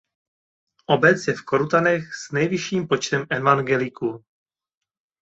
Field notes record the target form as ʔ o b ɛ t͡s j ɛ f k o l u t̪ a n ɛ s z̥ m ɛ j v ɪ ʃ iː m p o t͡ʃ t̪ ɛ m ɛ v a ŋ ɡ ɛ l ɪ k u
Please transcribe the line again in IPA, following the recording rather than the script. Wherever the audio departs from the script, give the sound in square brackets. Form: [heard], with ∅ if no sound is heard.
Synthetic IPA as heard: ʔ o b ɛ t͡s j ɛ f k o [ɾ] u t̪ a n ɛ [x] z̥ [n] ɛ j v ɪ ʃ iː m p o t͡ʃ t̪ ɛ m ɛ v a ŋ ɡ ɛ l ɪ k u